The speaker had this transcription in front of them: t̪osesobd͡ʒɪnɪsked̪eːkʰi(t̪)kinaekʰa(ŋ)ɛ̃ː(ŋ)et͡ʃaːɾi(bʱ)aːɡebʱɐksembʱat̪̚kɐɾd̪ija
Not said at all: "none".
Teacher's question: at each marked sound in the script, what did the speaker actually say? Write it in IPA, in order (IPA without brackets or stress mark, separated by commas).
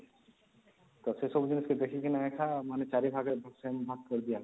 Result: none, m, n, bʱ